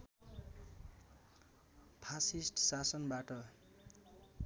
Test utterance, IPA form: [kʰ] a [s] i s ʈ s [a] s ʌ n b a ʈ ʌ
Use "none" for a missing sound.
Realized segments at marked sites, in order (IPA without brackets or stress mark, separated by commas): pʰ, s, a